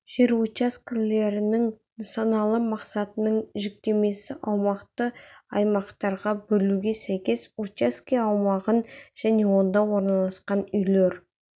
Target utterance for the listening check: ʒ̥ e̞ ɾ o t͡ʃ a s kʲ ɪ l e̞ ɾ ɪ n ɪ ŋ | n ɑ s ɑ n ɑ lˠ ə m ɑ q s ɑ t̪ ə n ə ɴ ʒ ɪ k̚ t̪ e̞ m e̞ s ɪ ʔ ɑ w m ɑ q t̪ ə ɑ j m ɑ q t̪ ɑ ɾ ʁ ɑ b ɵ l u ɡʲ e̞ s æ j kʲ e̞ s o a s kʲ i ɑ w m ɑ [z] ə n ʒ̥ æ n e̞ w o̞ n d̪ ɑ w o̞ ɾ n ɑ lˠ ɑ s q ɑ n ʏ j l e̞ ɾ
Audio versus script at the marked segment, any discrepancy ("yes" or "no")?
yes